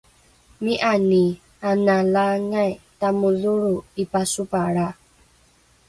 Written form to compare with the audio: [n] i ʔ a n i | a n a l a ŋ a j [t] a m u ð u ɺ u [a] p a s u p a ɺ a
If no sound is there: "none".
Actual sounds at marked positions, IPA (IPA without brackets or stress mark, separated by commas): m, t, i